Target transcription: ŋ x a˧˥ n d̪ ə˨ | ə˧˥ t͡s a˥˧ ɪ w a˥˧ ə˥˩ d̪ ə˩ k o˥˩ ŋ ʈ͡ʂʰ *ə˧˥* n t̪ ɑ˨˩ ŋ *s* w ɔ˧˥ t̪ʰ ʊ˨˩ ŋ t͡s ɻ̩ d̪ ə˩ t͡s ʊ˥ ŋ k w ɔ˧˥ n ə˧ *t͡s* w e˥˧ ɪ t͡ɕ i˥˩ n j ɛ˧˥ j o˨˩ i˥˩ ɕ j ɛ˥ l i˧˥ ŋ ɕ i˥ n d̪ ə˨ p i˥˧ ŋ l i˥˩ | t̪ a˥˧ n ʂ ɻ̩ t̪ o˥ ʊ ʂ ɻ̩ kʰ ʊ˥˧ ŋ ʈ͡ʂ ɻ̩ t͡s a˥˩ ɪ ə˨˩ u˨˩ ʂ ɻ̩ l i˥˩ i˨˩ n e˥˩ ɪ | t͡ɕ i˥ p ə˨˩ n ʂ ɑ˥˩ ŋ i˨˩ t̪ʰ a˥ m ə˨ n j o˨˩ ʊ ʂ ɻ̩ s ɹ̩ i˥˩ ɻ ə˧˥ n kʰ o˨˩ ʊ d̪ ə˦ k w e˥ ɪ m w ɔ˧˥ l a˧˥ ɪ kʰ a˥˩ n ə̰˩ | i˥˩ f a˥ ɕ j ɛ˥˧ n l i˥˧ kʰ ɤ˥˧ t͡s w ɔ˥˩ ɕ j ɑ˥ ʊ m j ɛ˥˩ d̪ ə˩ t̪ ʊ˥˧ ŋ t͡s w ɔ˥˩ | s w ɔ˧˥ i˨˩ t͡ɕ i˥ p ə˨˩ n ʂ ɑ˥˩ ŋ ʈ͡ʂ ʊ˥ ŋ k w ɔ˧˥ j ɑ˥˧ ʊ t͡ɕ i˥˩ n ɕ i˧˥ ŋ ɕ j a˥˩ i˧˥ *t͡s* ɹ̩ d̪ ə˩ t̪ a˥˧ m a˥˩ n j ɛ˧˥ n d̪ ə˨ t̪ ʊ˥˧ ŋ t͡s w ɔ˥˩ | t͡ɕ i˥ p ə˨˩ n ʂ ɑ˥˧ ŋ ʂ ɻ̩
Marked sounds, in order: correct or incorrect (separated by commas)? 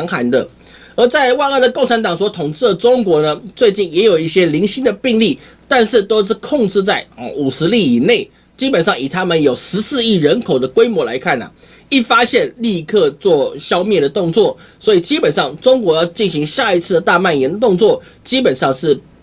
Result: incorrect, correct, correct, incorrect